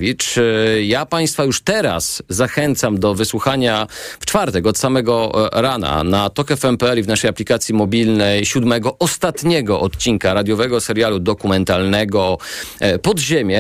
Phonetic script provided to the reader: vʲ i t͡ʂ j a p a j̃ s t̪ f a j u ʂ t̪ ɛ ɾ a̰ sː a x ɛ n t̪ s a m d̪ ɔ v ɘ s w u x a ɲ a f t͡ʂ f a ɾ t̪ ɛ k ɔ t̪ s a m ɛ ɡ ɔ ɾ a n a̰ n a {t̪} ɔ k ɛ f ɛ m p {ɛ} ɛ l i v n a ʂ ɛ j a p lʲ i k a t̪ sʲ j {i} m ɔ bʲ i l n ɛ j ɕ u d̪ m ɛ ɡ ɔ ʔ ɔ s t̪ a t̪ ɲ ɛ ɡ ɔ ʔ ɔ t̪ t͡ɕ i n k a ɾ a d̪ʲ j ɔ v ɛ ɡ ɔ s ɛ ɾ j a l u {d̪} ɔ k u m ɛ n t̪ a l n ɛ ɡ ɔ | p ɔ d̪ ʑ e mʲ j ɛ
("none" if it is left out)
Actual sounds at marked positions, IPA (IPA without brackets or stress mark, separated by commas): t̪, ɛ, i, d̪